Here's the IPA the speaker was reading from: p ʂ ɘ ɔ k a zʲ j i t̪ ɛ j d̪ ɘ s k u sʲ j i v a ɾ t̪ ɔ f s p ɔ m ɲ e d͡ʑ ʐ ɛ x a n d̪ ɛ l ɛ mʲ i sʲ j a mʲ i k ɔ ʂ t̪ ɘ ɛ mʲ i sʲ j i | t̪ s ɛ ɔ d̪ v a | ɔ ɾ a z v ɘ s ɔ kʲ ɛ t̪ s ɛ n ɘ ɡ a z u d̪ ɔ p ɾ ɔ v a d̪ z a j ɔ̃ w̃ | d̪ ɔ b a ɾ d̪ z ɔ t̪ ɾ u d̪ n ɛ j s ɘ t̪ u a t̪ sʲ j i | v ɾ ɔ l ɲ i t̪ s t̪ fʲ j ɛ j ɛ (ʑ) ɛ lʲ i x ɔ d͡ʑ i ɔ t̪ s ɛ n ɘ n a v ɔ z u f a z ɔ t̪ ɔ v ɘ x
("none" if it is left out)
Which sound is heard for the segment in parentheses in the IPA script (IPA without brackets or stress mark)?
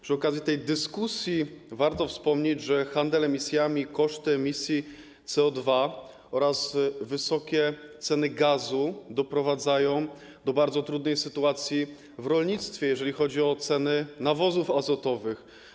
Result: ʐ